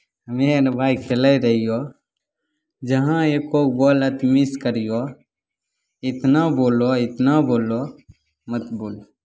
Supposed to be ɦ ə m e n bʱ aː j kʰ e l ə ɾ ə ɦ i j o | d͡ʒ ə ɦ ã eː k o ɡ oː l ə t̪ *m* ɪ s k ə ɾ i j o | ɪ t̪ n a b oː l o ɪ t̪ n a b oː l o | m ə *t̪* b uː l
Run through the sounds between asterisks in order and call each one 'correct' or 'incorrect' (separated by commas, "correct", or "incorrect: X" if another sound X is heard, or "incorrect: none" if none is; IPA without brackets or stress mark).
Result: correct, correct